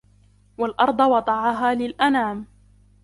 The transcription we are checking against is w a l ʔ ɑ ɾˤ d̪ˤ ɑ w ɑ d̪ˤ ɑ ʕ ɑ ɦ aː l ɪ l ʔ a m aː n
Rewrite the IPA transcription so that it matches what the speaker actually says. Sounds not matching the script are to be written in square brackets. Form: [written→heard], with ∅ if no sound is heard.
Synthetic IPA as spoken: w a l ʔ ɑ ɾˤ d̪ˤ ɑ w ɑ d̪ˤ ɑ ʕ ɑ ɦ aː l ɪ l ʔ a [m→n] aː [n→m]